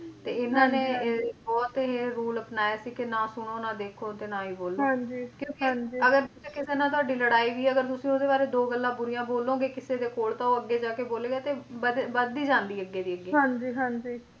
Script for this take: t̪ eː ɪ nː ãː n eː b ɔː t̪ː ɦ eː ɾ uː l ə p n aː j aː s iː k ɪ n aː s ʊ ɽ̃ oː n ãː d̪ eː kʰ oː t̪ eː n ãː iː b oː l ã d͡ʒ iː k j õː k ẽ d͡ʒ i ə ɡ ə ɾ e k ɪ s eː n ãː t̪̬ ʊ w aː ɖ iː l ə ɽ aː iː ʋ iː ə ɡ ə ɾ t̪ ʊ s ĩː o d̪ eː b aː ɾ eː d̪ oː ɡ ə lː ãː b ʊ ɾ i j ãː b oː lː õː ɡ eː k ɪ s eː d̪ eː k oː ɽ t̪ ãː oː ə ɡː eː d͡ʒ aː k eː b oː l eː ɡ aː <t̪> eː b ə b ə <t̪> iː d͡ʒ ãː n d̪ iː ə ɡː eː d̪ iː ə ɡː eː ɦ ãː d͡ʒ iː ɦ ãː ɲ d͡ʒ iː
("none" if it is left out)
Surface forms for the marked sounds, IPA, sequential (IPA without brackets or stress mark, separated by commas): t̪, d̪